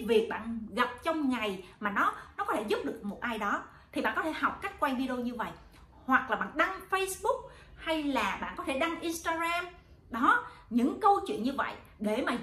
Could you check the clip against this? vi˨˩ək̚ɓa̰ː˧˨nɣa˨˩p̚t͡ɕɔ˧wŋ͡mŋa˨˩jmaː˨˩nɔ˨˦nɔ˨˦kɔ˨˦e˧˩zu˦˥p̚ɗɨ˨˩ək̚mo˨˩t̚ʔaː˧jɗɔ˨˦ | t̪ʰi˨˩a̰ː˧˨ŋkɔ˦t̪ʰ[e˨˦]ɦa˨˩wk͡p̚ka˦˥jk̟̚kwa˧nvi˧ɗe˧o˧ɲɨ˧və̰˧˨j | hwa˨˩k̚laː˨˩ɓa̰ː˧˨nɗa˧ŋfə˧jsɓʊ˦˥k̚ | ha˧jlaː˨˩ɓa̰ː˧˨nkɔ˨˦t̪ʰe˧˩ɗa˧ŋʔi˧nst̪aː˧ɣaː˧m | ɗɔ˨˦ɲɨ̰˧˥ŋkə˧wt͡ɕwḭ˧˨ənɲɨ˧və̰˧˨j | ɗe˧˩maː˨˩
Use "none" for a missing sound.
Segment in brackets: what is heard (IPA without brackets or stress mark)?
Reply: e˧˩